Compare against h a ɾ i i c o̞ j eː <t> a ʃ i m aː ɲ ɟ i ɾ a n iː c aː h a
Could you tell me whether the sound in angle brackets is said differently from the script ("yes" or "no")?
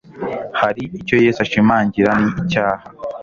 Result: yes